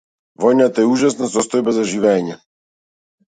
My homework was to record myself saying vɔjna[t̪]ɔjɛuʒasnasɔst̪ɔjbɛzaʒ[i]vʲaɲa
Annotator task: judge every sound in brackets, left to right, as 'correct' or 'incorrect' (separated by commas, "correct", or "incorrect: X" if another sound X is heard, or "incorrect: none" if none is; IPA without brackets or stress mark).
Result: correct, correct